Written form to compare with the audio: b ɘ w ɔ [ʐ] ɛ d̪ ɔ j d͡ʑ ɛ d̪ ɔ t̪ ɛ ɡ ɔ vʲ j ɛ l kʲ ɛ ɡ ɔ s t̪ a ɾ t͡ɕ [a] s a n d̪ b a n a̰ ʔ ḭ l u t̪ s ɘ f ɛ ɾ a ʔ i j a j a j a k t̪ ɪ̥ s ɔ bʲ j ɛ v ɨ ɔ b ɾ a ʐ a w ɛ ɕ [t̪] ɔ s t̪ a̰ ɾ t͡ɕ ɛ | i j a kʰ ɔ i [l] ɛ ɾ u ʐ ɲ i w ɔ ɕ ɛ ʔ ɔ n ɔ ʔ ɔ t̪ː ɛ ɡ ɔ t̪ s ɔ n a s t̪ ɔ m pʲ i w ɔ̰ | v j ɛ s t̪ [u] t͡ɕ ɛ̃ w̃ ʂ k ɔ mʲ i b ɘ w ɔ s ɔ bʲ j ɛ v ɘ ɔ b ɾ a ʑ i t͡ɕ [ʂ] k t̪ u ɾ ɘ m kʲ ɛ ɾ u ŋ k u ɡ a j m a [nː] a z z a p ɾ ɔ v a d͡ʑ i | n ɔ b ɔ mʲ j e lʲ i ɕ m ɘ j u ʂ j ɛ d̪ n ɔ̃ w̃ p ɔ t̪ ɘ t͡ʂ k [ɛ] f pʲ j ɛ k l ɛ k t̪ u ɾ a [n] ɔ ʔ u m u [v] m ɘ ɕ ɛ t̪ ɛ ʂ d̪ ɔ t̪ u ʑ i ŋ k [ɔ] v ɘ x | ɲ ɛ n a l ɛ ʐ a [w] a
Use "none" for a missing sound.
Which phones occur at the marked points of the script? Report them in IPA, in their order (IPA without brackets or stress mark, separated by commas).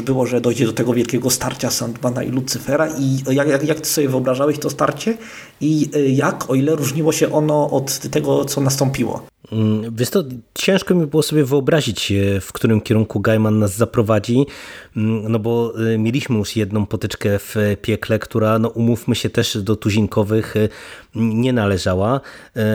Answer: ʐ, a, t̪, l, ɔ, f, nː, ɛ, n, f, ɔ, w